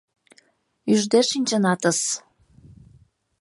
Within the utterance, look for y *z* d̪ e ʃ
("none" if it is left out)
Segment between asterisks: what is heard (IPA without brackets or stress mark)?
ʒ